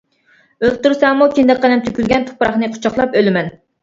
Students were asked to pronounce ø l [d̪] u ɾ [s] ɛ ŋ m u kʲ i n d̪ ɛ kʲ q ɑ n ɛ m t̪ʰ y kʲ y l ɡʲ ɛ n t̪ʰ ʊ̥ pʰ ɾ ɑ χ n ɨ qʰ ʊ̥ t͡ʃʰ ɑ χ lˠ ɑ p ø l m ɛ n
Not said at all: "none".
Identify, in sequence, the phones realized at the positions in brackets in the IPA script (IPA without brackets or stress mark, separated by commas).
t̪, s